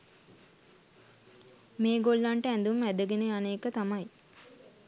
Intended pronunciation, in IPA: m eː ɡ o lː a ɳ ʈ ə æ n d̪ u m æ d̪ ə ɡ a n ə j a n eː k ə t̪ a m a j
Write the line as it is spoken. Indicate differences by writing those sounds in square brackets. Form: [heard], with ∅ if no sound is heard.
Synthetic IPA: m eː ɡ o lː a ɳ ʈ ə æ n d̪ u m æ d̪ ə ɡ [e] n ə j a n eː k ə t̪ a m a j